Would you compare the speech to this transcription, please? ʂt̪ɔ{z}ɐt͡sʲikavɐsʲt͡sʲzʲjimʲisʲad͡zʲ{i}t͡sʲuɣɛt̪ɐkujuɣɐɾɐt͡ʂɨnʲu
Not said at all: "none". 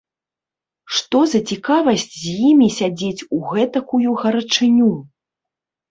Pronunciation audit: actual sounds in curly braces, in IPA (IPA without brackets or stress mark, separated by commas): z, e